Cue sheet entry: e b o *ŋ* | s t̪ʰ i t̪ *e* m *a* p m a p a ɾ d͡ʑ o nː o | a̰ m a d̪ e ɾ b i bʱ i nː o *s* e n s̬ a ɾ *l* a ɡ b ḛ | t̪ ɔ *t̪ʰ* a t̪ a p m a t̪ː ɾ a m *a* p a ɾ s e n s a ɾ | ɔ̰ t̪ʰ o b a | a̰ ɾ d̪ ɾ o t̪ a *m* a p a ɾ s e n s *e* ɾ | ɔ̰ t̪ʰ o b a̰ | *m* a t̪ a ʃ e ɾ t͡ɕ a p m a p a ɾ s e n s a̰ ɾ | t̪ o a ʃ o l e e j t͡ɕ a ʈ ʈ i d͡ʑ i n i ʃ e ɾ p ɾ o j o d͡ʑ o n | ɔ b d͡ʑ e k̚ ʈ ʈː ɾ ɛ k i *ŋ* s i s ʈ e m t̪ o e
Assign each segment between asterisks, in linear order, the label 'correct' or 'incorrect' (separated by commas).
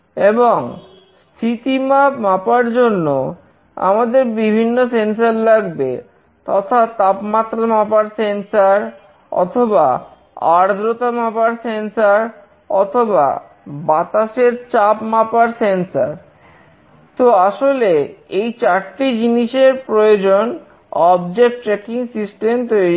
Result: correct, incorrect, correct, correct, correct, correct, correct, correct, incorrect, incorrect, correct